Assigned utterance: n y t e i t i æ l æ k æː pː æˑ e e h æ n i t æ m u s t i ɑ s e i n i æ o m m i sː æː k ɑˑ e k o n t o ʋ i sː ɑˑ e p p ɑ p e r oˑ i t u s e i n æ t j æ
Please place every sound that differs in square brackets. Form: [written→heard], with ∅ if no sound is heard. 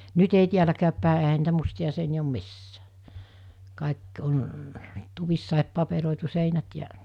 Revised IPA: n y t e i t i æ l æ k æː pː æˑ e e h æ n [i→iː] t æ m u s t i ɑ s e i n i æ o m m i sː æː k ɑˑ e k o n t [o→u] ʋ i sː ɑˑ e p p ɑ p e r oˑ i t u s e i n æ t j æ